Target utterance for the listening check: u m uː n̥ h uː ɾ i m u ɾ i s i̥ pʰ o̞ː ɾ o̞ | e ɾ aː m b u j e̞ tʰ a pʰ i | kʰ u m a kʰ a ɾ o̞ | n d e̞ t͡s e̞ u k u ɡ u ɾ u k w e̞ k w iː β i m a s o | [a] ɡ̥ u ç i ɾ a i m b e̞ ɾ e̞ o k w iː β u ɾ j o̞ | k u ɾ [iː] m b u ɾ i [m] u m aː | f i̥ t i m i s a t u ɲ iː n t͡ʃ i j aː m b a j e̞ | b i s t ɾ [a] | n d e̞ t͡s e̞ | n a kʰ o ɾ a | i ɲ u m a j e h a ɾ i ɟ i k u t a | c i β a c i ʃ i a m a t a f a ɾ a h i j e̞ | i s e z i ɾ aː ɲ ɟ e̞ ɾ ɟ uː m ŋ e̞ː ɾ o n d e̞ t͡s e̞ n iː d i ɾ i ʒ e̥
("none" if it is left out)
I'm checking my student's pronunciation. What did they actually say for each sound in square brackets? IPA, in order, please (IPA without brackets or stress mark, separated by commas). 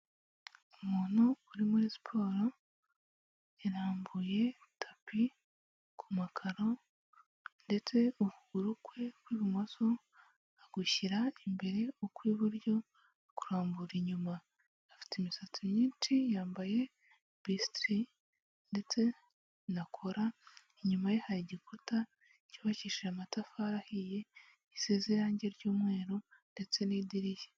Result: a, aː, ɲ, i